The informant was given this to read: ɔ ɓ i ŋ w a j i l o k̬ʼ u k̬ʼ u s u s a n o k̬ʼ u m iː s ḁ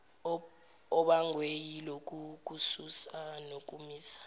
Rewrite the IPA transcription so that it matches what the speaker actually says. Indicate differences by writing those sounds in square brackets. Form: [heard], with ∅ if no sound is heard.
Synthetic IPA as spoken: ɔ ɓ [a] ŋ w [e] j i l o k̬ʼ u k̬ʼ u s u s a n o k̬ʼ u m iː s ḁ

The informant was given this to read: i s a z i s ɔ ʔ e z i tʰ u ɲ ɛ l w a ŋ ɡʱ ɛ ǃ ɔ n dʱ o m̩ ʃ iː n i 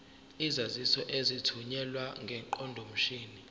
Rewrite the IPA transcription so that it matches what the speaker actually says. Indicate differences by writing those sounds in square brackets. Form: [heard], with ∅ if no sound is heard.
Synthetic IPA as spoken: i [z] a z i s ɔ ʔ e z i tʰ u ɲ ɛ l w a ŋ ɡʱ ɛ ǃ ɔ n dʱ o m̩ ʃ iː n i

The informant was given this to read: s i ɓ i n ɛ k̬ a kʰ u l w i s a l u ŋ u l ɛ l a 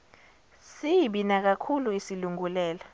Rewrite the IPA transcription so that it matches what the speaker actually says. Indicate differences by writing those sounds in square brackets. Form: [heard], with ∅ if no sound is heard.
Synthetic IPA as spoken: s i ɓ i n [a] k̬ a kʰ u l [u] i s [i] l u ŋ u l [ɛː] l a

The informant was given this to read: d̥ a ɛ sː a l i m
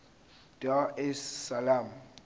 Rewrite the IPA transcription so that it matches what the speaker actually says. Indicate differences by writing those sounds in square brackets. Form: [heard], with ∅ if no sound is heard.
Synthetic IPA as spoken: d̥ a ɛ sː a l [a] m

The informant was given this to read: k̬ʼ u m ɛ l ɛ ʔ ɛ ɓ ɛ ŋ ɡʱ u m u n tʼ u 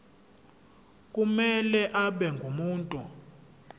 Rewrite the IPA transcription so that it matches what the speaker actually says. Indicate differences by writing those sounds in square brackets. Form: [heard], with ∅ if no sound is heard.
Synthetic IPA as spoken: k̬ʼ u m ɛ l ɛ ʔ [a] ɓ ɛ ŋ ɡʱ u m [uː] n tʼ u

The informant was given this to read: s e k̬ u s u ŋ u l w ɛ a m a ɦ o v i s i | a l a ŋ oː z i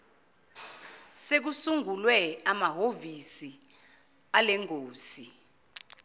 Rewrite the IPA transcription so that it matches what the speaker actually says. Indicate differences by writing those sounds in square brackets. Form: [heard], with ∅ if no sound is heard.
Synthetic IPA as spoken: s e k̬ u s u ŋ u l w ɛ a m a ɦ o v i s i | a l [ɛ] ŋ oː [s] i

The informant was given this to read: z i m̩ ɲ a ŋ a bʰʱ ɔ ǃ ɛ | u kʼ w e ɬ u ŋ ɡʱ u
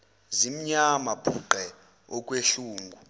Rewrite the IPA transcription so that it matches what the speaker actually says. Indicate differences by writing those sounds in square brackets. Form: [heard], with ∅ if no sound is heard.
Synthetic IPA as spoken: z i m̩ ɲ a [m] a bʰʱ [u] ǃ ɛ | [ɔ] kʼ w e ɬ [uː] ŋ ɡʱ u

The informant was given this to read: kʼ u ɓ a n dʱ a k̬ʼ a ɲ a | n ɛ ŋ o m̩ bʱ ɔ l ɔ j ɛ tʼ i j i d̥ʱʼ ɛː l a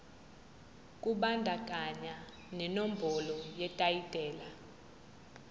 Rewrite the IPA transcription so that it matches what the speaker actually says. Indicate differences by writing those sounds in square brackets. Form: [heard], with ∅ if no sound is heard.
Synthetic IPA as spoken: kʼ u ɓ a n dʱ a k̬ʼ a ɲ a | n ɛ [n] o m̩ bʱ ɔ l ɔ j ɛ tʼ [a] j i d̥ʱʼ ɛː l a

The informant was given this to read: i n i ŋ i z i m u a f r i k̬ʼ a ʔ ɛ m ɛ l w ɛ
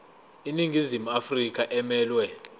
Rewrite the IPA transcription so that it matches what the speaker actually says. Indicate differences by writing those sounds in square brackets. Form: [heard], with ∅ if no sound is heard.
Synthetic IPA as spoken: i n i ŋ i z i m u a f r i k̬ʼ a ʔ ɛ m [ɛː] l w ɛ

